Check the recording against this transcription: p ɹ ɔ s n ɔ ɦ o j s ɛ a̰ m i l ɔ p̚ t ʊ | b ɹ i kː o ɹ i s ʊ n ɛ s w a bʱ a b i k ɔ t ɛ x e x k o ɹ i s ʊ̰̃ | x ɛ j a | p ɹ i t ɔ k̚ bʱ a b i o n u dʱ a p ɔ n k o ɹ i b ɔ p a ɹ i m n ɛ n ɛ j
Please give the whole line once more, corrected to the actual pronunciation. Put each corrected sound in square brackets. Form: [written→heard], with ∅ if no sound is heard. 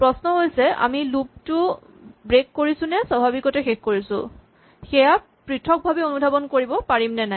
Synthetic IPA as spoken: p ɹ ɔ s n ɔ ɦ o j s ɛ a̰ m i l [ɔ→u] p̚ t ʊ | b ɹ [i→e] kː o ɹ i s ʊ n ɛ s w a bʱ a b i k ɔ t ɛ x e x k o ɹ i s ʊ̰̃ | x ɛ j a | p ɹ i [t→tʰ] ɔ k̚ bʱ a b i o n u dʱ a [p→b] ɔ n k o ɹ i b ɔ p a ɹ i m n ɛ n [ɛ→a] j